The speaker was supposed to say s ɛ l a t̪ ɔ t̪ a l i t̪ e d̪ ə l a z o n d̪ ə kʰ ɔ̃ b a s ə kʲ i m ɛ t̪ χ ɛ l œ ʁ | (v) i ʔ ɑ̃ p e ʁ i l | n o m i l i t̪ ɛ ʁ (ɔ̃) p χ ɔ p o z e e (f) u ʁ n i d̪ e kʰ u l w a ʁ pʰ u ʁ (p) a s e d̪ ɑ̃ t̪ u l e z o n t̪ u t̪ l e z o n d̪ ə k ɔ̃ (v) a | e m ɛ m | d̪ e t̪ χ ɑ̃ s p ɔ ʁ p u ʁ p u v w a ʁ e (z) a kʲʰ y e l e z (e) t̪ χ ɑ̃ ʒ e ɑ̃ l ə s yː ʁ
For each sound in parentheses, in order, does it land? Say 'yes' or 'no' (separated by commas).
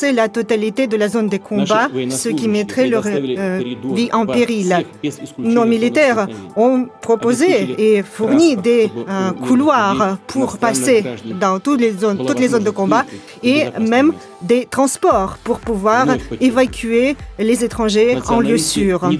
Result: yes, yes, yes, yes, no, no, yes